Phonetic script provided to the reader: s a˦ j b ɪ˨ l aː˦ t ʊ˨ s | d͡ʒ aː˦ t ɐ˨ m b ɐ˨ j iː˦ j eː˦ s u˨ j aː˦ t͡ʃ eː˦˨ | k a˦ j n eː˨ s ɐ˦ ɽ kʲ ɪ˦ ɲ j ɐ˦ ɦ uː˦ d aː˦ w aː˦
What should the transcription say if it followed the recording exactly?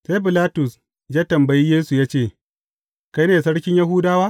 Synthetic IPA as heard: s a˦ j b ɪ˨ l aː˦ t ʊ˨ s | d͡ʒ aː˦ t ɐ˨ m b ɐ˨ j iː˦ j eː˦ s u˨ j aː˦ t͡ʃ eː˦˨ | k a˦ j n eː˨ s ɐ˦ ɽ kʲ ɪ˦ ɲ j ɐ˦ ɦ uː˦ d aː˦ w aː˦